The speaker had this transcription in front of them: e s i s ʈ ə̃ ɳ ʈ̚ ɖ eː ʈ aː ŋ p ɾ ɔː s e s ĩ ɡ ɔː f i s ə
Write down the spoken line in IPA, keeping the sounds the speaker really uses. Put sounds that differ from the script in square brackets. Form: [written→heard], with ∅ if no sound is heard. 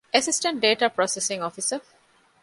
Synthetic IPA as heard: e s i s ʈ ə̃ ɳ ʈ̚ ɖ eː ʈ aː [ŋ→∅] p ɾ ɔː s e s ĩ [ɡ→ŋ] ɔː f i s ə